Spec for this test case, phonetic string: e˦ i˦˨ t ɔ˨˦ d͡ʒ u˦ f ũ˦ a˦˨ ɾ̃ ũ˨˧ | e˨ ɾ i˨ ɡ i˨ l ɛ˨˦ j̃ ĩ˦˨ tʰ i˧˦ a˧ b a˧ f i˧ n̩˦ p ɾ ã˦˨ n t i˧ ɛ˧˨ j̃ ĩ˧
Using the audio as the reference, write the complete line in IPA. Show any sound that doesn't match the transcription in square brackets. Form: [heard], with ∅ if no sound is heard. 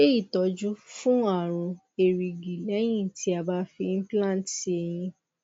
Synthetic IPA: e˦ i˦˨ t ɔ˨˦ d͡ʒ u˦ f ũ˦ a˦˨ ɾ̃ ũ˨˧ | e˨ ɾ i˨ ɡ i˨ l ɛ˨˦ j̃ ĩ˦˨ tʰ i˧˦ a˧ b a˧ f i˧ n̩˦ p [l] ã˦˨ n t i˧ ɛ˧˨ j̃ ĩ˧